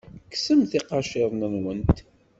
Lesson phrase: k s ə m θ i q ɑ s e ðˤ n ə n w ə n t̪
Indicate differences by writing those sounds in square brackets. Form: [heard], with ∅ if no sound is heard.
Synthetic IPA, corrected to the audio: k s ə m θ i q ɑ [ʃ] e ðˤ n ə n w ə n t̪